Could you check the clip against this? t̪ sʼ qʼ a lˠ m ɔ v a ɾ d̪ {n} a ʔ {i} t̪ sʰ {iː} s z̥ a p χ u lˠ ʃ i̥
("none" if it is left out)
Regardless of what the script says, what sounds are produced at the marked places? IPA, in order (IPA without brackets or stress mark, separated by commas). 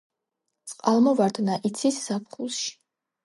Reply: n, i, i